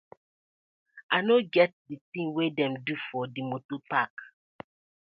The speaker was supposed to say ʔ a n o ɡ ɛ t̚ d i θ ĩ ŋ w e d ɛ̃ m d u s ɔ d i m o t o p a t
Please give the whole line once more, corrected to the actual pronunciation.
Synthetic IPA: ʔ a n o ɡ ɛ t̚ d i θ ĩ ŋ w e d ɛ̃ m d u f ɔ d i m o t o p a k